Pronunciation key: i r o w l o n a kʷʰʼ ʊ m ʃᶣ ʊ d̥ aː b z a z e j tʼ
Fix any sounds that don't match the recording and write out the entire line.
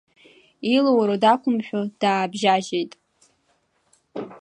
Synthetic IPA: i l o w ɾ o d a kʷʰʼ ʊ m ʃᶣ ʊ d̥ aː b ʒ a ʒ e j tʼ

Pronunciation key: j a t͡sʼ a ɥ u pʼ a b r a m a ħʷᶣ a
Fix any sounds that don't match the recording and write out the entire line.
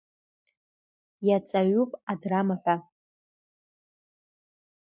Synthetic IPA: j a t͡sʼ a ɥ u pʼ a d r a m a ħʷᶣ a

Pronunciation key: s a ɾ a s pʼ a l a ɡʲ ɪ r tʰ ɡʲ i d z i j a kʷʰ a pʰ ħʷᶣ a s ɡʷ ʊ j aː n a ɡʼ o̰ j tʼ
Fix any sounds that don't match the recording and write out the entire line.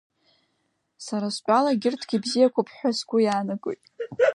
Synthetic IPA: s a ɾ a s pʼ a l a ɡʲ ɪ r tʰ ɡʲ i b z i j a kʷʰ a pʰ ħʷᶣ a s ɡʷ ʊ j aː n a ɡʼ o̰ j tʼ

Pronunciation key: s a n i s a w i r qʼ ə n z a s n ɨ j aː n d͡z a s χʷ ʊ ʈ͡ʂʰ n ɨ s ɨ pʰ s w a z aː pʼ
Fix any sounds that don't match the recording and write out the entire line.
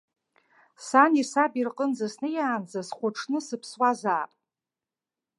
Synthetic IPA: s a n i s a b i r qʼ ə n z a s n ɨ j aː n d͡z a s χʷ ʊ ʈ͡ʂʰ n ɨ s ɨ pʰ s w a z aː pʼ

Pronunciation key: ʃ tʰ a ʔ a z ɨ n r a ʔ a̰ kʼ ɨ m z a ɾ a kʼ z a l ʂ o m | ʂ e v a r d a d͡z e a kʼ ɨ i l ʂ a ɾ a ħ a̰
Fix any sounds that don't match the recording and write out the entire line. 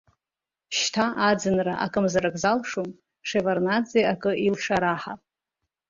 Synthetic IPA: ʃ tʰ a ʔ a d͡z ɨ n r a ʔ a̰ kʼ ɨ m z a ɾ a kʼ z a l ʂ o m | ʂ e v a r n a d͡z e a kʼ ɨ i l ʂ a ɾ a ħ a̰

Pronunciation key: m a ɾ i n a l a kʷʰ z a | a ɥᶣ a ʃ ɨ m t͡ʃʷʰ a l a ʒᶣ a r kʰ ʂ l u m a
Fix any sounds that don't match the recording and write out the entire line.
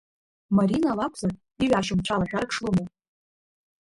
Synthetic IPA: m a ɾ i n a l a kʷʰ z a | i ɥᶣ a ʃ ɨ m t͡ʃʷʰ a l a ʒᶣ a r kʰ ʂ l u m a

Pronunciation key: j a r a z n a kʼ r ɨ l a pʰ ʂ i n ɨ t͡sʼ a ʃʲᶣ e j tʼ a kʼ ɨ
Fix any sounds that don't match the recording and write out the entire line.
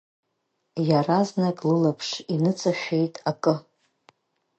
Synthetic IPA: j a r a z n a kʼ l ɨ l a pʰ ʂ i n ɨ t͡sʼ a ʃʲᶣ e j tʼ a kʼ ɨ

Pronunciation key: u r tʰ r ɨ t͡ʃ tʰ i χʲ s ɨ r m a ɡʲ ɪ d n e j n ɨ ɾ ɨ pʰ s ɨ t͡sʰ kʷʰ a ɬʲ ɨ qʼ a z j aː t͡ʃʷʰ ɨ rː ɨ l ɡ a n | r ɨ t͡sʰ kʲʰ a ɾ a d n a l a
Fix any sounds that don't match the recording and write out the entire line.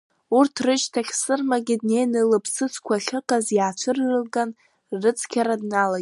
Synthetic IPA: u r tʰ r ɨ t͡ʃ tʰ a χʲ s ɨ r m a ɡʲ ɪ d n e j n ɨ l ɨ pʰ s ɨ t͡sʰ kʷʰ a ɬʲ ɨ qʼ a z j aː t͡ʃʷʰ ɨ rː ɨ l ɡ a n | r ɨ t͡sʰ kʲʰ a ɾ a d n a l a

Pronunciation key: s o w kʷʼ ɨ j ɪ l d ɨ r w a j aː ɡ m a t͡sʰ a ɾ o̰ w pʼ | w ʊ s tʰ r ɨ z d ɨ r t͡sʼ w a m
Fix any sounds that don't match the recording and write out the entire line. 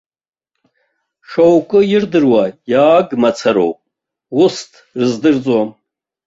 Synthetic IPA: ʂ o w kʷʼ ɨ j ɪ r d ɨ r w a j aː ɡ m a t͡sʰ a ɾ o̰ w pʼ | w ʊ s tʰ r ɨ z d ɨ r t͡sʼ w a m

